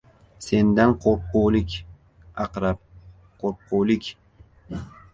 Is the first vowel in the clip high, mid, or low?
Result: mid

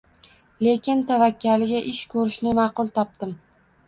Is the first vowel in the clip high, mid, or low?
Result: mid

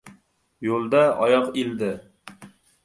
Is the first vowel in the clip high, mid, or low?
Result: mid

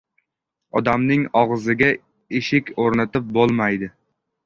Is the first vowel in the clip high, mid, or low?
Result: low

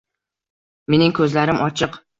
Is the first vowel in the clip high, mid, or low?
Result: mid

